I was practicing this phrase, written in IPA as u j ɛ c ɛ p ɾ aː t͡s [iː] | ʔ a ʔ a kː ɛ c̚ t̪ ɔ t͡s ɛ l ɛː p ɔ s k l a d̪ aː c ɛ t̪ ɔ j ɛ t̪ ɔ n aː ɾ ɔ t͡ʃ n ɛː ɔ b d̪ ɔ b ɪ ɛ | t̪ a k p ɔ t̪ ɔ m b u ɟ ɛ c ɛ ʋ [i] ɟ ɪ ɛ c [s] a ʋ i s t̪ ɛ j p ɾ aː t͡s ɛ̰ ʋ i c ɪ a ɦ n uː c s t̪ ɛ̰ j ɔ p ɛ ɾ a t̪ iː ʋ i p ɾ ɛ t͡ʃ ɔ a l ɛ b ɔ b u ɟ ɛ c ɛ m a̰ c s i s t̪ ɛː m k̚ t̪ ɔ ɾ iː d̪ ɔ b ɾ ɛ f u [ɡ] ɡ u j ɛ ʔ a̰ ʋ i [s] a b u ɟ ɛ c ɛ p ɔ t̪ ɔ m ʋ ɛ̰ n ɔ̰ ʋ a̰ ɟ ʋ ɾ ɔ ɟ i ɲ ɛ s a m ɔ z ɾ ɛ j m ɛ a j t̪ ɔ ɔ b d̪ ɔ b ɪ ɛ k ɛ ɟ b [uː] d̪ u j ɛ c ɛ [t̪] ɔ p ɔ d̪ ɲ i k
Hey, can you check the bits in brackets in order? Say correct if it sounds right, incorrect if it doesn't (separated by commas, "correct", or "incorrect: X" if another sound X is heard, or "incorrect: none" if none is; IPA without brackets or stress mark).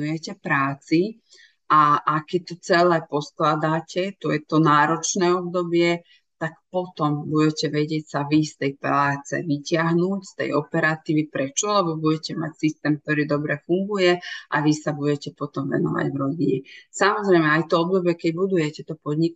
incorrect: i, incorrect: ɛ, correct, incorrect: ŋ, correct, incorrect: u, correct